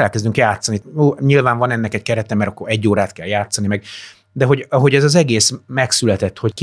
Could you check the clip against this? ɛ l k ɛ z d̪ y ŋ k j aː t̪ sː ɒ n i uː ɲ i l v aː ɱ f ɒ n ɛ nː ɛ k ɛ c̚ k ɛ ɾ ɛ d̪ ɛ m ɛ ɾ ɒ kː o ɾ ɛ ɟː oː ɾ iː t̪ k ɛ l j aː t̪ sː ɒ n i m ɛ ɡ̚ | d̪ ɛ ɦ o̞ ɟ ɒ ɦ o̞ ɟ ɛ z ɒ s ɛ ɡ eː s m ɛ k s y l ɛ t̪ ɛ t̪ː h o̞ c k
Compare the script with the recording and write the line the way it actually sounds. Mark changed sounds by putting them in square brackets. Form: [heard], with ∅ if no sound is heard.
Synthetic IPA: ɛ l k ɛ z d̪ y ŋ k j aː t̪ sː ɒ n i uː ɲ i l v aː ɱ [v] ɒ n ɛ nː ɛ k ɛ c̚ k ɛ ɾ ɛ [t̪] ɛ m ɛ ɾ ɒ kː o ɾ ɛ ɟː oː ɾ [aː] t̪ k ɛ l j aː t̪ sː ɒ n i m ɛ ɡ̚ | d̪ ɛ ɦ o̞ ɟ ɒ ɦ o̞ ɟ ɛ z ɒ [z] ɛ ɡ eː s m ɛ k s y l ɛ t̪ ɛ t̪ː h o̞ c k